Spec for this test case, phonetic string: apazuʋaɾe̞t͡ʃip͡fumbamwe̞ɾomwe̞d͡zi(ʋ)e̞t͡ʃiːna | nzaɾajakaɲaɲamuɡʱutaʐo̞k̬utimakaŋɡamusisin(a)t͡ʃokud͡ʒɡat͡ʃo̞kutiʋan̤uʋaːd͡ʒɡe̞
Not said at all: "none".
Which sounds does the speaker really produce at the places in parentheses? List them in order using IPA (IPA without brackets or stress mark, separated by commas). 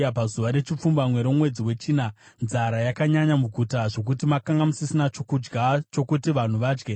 w, a